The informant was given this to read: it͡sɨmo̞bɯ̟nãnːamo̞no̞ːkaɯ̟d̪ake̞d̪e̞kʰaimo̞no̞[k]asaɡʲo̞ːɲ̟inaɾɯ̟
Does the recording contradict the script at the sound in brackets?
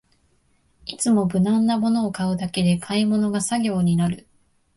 yes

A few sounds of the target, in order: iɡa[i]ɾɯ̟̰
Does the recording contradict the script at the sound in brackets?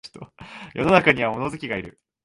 no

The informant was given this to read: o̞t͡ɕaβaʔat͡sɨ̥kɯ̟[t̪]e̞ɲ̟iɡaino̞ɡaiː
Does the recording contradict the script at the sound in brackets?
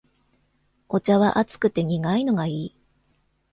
no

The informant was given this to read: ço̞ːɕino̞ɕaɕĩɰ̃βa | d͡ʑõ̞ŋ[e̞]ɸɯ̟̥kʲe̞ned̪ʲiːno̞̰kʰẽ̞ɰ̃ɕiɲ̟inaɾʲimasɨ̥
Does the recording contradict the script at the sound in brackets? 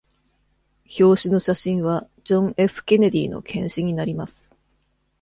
no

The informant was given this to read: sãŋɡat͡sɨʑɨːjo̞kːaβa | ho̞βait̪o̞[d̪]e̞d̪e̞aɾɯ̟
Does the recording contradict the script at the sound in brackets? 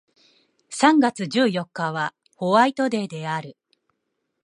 no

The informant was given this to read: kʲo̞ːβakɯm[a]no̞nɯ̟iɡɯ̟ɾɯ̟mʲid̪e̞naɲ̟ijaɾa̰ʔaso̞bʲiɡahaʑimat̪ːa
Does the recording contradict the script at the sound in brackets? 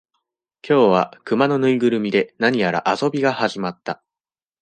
no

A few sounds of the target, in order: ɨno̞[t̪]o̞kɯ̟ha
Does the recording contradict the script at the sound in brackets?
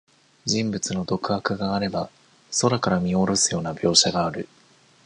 yes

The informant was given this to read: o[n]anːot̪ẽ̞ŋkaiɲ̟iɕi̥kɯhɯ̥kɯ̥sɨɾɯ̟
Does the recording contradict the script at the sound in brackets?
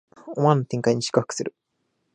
yes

